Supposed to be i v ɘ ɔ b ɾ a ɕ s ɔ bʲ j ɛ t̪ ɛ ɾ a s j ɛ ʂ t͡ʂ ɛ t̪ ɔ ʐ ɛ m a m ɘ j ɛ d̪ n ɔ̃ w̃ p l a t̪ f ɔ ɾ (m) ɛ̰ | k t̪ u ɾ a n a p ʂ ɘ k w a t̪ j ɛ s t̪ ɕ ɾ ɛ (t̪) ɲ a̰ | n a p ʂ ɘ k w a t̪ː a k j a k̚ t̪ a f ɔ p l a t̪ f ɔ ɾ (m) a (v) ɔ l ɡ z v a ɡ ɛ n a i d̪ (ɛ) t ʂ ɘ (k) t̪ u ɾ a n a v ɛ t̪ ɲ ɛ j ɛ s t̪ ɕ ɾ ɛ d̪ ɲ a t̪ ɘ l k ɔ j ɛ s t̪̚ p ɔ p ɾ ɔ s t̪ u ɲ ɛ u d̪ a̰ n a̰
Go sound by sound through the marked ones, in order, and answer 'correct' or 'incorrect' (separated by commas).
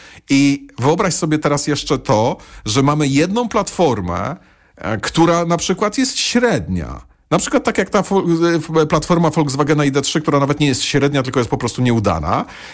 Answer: correct, incorrect, correct, incorrect, correct, correct